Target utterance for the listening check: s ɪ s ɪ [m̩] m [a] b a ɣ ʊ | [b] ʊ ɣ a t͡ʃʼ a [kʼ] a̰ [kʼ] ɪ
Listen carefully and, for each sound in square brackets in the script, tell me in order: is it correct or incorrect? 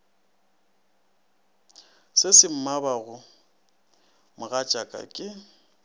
correct, correct, incorrect: m, correct, correct

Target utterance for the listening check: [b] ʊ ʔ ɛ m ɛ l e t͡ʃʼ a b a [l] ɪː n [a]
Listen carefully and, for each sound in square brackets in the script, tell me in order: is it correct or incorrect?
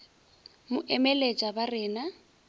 incorrect: m, incorrect: r, correct

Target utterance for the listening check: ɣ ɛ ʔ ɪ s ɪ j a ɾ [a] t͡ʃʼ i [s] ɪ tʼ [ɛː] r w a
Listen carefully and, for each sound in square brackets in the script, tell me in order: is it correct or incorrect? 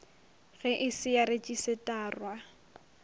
incorrect: e, correct, incorrect: aː

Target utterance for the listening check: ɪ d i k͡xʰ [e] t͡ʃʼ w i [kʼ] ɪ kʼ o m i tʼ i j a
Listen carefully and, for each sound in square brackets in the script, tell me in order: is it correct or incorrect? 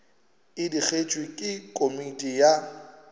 correct, correct

